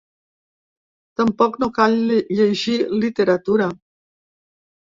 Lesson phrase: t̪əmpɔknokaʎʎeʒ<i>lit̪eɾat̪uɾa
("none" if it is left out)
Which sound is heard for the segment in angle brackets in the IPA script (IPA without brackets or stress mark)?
i